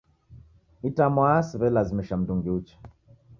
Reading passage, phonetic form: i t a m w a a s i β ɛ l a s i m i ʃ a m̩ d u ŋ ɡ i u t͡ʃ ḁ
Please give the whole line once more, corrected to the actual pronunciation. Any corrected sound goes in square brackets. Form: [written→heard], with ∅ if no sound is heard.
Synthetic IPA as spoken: i t a m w a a s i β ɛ l a [s→z] i m i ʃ a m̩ d u ŋ ɡ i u t͡ʃ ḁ